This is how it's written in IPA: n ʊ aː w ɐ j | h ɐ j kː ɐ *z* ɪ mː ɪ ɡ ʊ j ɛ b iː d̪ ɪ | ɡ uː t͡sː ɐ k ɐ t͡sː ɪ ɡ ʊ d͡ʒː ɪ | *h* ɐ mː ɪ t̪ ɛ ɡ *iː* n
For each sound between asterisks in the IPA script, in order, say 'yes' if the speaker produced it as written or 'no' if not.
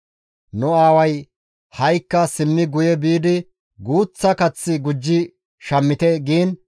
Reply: no, no, yes

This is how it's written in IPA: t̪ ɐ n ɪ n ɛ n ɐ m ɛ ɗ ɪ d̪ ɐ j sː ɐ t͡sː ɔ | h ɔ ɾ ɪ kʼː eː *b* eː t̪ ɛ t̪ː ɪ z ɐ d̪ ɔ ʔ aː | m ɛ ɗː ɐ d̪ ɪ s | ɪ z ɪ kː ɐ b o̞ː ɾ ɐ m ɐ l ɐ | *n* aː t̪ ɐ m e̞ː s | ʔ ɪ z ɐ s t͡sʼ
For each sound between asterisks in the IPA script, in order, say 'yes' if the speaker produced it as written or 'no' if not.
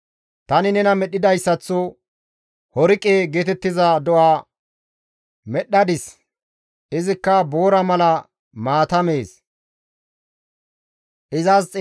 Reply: no, no

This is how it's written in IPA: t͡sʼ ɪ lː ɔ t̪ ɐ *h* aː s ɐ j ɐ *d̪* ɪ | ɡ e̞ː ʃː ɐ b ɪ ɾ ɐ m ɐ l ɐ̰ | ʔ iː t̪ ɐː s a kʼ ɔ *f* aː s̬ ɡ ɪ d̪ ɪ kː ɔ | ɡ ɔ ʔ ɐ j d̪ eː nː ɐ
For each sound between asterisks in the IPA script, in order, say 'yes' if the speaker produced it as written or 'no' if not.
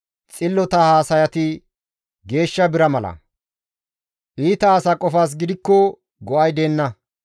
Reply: yes, no, yes

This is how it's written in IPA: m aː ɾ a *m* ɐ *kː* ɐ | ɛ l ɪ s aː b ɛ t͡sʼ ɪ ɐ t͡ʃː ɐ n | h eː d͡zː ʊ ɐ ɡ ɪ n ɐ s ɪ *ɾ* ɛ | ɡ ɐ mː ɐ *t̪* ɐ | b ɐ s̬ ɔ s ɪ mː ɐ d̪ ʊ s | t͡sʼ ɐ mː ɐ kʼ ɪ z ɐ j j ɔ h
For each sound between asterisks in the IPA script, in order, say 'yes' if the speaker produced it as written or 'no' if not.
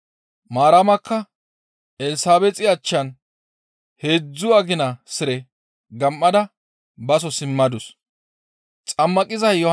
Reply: yes, yes, yes, no

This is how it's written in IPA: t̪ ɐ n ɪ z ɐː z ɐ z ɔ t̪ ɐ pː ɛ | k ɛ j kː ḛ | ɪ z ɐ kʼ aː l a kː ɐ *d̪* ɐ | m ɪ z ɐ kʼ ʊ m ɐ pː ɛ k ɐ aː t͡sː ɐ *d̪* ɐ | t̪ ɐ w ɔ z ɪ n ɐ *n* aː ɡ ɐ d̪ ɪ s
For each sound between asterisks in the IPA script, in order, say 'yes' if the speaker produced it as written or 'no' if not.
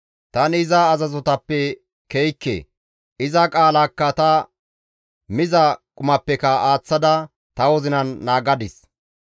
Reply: no, yes, no

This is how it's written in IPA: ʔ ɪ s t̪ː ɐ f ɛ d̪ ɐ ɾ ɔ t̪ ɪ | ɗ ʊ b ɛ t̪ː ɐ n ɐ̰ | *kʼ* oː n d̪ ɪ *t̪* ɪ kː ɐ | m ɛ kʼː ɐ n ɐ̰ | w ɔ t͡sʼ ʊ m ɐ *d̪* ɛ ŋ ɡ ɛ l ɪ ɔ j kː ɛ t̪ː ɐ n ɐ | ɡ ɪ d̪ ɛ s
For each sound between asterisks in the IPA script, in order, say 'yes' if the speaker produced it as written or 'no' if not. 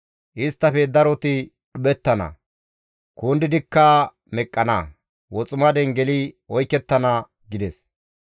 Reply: no, no, yes

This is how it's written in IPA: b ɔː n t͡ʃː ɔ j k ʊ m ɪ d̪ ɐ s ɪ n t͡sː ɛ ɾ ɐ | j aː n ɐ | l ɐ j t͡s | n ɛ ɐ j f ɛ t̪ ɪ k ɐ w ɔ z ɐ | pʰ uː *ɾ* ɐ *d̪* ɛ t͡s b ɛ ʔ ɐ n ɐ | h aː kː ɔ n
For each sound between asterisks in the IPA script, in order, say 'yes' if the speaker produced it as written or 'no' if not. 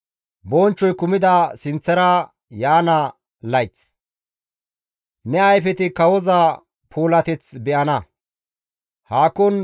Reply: no, no

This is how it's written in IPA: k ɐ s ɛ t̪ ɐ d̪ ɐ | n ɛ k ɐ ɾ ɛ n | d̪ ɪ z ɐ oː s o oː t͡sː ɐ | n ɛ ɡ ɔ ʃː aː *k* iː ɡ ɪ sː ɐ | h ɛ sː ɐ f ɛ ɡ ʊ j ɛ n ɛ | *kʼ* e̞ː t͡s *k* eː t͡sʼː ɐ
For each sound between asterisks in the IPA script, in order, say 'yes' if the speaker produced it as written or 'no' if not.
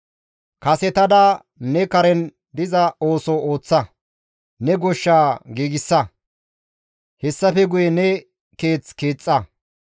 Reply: no, no, yes

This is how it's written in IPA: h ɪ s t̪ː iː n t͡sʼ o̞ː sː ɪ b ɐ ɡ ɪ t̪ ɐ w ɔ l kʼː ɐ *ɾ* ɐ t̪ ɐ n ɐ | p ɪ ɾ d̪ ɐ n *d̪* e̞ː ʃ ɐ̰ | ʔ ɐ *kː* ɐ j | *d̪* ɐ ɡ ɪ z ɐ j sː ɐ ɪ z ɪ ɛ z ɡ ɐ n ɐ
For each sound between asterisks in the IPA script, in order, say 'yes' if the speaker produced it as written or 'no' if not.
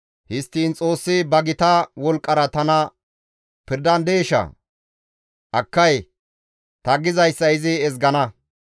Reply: yes, yes, yes, no

